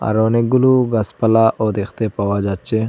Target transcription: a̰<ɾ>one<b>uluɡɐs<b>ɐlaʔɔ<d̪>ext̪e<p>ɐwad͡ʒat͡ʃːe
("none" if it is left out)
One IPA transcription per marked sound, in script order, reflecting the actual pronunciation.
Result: ɾ, ɡ, p, d̪, p

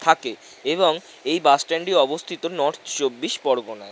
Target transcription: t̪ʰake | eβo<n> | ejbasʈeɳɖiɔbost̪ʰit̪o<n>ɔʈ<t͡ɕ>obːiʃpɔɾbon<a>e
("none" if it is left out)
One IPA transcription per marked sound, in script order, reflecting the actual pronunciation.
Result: ŋ, n, t͡ɕ, a

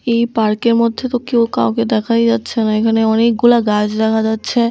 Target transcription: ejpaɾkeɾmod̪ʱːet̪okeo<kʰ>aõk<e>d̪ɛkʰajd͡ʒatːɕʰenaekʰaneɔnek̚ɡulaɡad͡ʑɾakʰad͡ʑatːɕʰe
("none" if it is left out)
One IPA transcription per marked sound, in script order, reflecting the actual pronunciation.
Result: k, e

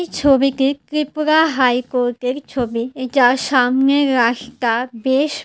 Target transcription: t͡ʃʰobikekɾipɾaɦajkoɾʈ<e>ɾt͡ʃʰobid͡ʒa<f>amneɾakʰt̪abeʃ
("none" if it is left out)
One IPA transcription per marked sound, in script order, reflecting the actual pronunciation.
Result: e, ʃ

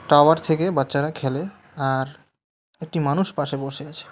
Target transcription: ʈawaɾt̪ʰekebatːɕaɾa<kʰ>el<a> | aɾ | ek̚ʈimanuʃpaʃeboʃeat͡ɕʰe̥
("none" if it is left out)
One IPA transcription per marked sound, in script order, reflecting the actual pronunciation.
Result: kʰ, e

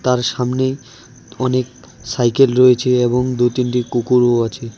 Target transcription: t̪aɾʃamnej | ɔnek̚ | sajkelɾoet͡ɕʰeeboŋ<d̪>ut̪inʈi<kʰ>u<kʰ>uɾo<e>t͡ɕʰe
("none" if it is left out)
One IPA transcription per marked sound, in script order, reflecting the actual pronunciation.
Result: d̪, k, k, a

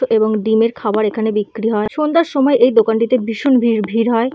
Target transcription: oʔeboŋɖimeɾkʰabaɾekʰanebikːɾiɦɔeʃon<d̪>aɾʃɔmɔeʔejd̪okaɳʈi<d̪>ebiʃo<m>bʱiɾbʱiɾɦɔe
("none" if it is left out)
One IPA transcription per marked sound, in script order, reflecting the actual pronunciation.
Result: d̪, t̪, n

